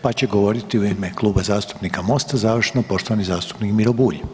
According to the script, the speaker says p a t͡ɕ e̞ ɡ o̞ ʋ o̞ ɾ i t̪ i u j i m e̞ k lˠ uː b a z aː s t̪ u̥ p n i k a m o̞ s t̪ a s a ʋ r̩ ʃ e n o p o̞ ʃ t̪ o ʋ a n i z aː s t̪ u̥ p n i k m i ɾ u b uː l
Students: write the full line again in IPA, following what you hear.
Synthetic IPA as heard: p a t͡ɕ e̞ ɡ o̞ ʋ o̞ ɾ i t̪ i u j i m e̞ k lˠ uː b a z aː s t̪ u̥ p n i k a m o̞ s t̪ a z a ʋ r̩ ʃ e n o p o̞ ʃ t̪ o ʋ a n i z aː s t̪ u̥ p n i k m i ɾ o b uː ʎ